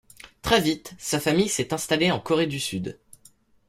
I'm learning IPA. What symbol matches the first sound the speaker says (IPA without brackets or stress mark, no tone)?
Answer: t̪